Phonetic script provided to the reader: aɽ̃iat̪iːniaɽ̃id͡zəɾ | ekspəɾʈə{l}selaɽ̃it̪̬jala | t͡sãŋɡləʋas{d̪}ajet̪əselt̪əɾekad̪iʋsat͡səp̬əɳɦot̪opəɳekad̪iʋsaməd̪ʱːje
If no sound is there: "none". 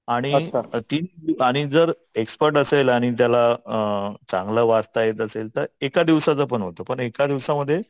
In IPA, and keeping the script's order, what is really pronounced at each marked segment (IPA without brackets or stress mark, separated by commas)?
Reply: none, t̪